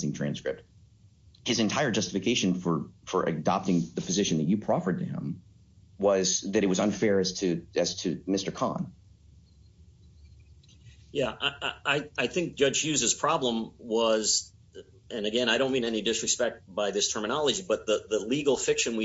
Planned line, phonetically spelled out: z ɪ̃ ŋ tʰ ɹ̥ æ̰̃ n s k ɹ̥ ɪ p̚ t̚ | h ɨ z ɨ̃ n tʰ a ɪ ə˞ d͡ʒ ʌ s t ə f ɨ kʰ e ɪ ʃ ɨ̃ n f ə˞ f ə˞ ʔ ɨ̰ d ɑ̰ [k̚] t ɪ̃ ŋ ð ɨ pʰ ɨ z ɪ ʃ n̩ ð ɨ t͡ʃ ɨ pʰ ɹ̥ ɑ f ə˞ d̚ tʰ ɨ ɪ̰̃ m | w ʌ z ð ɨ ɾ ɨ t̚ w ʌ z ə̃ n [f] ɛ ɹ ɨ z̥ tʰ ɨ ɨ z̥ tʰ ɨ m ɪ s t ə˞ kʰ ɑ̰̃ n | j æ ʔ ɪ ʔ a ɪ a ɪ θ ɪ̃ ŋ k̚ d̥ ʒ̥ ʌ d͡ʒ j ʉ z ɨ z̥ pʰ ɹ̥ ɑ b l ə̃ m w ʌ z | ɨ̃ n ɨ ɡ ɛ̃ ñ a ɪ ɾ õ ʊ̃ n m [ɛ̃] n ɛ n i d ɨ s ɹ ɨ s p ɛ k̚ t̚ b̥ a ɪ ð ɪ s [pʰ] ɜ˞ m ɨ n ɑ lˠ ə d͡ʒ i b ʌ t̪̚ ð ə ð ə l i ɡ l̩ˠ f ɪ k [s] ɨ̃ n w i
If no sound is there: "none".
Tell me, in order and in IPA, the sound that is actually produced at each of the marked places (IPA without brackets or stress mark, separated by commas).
p̚, f, ĩ, tʰ, ʃ